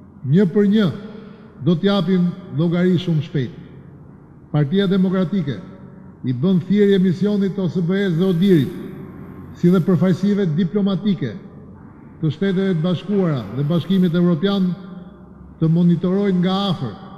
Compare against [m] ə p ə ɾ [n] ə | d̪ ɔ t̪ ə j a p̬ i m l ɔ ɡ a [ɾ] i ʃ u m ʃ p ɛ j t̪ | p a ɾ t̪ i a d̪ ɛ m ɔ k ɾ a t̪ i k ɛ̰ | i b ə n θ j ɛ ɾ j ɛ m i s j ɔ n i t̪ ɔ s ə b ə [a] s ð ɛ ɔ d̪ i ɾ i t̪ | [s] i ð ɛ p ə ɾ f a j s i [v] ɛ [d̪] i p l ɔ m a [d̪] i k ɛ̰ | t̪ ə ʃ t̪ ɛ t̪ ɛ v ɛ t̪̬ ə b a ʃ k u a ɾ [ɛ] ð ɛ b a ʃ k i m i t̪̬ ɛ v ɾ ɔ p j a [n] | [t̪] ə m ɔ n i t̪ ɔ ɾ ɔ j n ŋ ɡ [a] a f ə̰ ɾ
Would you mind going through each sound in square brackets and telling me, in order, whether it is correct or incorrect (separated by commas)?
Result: incorrect, incorrect, correct, incorrect, correct, correct, correct, incorrect, incorrect, correct, correct, correct